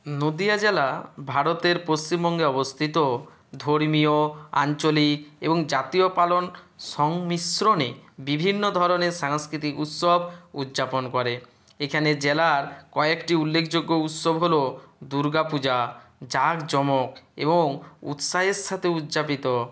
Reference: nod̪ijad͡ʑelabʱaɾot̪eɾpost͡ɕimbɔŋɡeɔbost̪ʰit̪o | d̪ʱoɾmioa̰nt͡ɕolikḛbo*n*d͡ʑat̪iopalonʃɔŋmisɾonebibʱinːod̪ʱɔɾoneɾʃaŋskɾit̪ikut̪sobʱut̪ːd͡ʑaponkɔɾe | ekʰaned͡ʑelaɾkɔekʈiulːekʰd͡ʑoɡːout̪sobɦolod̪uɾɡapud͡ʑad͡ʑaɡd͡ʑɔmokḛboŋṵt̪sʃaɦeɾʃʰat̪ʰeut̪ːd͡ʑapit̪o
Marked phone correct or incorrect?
incorrect